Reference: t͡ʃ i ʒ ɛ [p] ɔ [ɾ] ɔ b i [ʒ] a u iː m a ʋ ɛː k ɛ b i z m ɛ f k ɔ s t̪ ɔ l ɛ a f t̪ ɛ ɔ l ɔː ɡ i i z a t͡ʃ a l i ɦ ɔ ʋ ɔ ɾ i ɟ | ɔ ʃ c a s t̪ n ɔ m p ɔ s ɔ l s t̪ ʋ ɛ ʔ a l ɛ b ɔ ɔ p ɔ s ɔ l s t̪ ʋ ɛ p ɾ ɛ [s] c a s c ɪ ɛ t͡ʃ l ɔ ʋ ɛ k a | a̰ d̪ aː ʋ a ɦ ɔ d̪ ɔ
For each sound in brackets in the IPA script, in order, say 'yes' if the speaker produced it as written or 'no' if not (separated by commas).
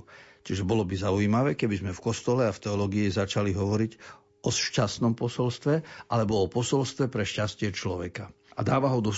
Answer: no, no, no, no